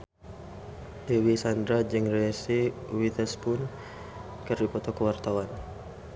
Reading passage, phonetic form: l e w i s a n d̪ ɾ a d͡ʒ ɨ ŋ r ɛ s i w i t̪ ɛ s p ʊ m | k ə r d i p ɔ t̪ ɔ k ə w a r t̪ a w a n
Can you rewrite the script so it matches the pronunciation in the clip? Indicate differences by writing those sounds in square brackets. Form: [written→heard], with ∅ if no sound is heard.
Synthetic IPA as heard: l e w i s a n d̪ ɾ a d͡ʒ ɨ ŋ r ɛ s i w i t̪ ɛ s p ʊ [m→n] | k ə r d i p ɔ t̪ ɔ k ə w a r t̪ a w a n